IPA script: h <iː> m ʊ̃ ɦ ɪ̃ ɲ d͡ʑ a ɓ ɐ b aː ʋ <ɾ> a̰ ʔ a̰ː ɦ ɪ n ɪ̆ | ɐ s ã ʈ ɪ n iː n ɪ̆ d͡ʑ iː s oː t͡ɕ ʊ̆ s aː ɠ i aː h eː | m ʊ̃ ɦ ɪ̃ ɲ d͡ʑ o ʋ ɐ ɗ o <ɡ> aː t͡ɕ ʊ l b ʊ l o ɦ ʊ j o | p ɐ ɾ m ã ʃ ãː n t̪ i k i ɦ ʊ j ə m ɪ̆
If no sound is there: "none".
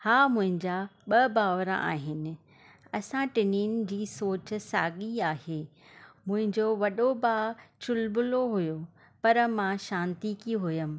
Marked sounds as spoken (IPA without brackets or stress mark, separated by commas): aː, ɾ, b